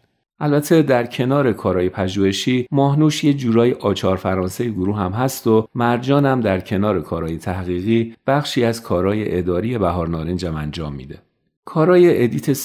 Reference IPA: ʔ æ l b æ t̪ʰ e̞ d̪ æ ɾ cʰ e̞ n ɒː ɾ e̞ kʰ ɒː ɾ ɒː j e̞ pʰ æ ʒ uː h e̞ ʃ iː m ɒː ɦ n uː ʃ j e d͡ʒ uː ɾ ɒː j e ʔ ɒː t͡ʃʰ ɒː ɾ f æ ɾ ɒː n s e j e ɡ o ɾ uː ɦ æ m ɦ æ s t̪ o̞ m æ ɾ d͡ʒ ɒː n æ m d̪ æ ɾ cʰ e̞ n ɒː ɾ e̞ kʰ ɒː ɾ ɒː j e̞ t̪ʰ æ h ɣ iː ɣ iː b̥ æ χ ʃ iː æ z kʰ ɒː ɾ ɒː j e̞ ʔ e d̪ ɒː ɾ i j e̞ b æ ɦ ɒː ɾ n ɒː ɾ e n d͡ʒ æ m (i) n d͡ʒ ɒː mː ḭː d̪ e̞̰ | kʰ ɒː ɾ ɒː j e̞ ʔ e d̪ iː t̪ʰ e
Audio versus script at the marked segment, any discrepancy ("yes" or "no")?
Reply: yes